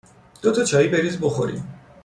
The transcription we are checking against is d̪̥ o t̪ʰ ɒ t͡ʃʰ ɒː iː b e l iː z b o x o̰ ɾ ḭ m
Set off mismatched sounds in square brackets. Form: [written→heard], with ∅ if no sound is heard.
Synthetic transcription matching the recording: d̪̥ o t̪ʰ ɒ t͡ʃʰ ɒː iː b e [l→ɾ] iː z b o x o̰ ɾ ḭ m